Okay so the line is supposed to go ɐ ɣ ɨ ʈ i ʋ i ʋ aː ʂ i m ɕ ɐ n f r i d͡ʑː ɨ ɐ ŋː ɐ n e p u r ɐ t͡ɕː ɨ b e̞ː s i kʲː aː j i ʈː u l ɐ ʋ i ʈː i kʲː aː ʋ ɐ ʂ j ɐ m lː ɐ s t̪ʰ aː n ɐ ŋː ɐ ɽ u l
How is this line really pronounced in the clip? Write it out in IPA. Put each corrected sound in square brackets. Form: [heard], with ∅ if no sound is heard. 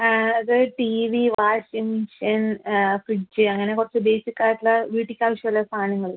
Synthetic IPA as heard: ɐ [ð] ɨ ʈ i ʋ i ʋ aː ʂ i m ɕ ɐ n f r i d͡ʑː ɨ ɐ ŋː ɐ n e [k] u r ɐ t͡ɕː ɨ b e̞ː s i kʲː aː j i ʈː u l ɐ ʋ [iː] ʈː i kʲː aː ʋ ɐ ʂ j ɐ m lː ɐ s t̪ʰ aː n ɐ ŋː ɐ [ɭ] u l